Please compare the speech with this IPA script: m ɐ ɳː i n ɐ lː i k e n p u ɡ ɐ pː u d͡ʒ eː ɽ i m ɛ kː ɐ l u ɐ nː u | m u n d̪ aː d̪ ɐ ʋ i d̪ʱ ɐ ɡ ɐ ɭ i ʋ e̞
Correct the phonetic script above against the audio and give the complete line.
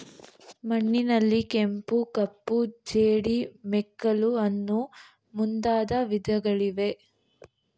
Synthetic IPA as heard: m ɐ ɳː i n ɐ lː i k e m p u k ɐ pː u d͡ʒ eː ɽ i m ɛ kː ɐ l u ɐ nː u | m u n d̪ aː d̪ ɐ ʋ i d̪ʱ ɐ ɡ ɐ ɭ i ʋ e̞